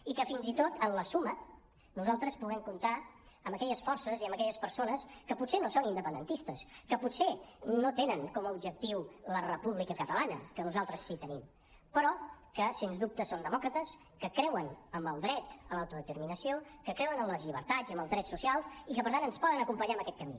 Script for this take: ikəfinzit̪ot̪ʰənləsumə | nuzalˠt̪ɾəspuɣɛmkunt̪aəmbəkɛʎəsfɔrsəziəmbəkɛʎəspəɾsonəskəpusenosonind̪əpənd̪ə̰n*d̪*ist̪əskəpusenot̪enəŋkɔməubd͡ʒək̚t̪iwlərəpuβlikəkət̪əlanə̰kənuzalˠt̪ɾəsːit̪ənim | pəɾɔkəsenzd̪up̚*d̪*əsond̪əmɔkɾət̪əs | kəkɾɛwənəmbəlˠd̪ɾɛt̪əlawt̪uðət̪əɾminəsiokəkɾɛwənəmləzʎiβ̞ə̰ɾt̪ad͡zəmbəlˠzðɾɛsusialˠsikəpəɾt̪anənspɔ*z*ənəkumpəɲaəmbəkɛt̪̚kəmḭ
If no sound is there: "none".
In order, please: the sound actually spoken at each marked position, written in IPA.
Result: t̪, t̪, ð

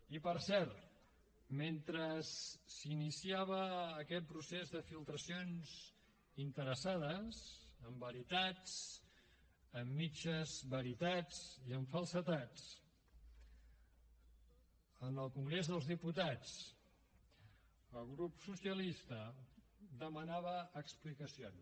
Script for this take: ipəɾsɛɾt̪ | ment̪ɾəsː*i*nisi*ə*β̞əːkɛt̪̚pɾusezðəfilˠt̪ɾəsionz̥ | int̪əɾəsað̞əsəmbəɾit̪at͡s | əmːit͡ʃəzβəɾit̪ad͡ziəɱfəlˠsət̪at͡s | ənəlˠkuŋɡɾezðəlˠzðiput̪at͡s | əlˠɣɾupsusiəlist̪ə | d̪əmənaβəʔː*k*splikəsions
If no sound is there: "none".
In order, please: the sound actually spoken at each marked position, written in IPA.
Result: i, a, k

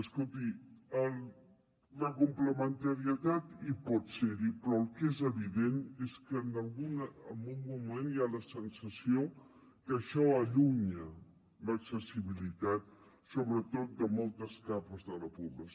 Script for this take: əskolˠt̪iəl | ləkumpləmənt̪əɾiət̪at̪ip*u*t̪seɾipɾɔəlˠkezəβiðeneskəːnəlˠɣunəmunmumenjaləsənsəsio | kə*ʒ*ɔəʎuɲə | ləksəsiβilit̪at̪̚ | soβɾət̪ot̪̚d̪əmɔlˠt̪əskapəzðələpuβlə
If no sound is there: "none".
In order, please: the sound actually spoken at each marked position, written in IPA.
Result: ɔ, ʃ

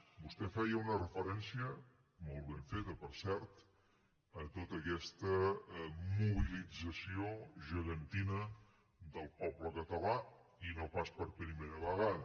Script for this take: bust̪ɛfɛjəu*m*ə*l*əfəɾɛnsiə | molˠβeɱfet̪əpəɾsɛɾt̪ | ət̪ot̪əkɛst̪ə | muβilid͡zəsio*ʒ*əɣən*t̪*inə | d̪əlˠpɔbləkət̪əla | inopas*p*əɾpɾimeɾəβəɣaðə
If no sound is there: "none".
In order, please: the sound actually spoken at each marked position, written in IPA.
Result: n, r, ʒ, t̪, p

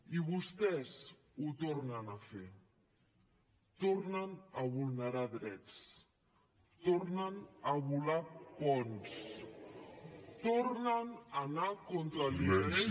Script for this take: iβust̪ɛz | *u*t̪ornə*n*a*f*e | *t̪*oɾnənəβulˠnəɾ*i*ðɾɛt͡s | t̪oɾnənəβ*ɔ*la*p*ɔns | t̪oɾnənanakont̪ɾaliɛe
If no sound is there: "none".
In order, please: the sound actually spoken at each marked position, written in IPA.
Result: u, n, f, t̪, a, u, p

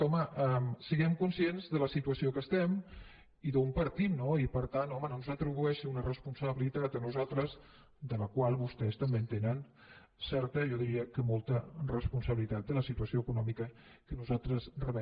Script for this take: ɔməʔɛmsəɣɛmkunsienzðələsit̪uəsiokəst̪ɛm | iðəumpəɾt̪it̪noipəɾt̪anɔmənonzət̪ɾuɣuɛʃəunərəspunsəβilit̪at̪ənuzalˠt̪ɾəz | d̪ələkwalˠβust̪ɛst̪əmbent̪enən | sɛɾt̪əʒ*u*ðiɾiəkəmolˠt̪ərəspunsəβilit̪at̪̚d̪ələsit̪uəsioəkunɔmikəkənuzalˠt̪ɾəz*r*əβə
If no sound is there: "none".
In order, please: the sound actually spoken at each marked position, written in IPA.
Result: ɔ, r

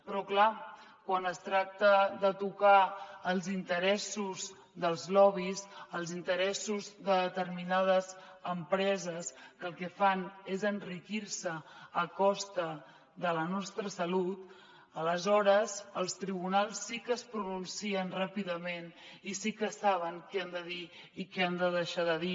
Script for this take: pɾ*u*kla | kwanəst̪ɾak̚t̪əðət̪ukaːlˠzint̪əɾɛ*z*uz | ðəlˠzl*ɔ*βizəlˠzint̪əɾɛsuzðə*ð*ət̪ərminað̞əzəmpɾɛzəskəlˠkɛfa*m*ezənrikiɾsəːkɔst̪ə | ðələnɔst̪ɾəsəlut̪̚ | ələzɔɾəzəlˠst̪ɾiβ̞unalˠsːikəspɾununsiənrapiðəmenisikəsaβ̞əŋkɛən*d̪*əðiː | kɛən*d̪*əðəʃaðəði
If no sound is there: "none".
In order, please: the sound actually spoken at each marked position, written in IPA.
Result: ɔ, s, ɔ, ð, n, d̪, d̪

